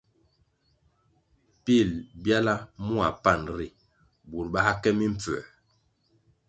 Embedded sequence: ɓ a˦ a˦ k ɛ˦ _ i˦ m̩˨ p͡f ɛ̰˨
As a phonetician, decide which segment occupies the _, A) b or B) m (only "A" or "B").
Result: B